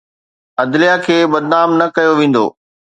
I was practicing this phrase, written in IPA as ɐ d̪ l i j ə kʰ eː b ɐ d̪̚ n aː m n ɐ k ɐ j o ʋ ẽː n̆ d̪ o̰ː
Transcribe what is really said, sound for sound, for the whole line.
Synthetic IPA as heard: ɐ d̪ l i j a kʰ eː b ɐ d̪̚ n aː m n ɐ k ɐ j o ʋ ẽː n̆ d̪ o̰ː